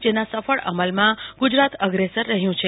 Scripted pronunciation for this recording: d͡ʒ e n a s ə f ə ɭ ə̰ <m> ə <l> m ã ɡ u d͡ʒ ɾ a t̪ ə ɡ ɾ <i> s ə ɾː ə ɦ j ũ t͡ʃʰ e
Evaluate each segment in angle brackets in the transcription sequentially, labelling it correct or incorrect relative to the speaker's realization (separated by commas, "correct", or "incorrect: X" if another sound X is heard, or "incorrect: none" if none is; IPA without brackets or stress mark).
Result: correct, correct, incorrect: e